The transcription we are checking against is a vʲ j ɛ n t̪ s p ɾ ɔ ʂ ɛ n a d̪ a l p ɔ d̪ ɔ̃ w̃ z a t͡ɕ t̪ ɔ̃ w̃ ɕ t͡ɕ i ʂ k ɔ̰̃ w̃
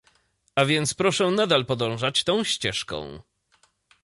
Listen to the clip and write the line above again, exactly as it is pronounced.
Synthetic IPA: a vʲ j ɛ n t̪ s p ɾ ɔ ʂ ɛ n a d̪ a l p ɔ d̪ ɔ̃ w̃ ʐ a t͡ɕ t̪ ɔ̃ w̃ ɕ t͡ɕ ɛ ʂ k ɔ̰̃ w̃